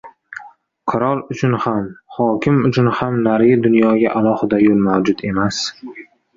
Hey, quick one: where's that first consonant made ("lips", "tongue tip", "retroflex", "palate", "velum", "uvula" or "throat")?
uvula